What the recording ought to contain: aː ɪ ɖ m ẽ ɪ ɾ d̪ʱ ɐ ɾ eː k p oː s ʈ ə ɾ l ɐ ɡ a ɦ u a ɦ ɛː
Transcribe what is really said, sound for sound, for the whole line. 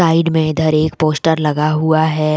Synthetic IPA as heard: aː ɪ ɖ m ẽ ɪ d̪ʱ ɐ ɾ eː k p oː s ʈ ə ɾ l ɐ ɡ a ɦ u a ɦ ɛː